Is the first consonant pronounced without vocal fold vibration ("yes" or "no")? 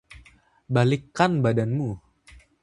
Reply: no